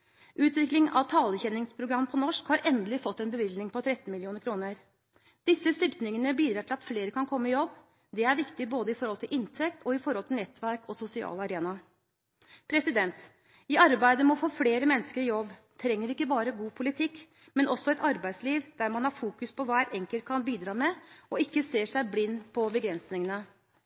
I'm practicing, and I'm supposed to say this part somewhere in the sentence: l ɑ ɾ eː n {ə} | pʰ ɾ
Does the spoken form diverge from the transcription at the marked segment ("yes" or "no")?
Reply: yes